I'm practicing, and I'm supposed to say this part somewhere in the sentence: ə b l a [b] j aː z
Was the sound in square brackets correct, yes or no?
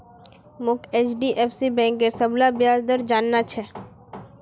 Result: yes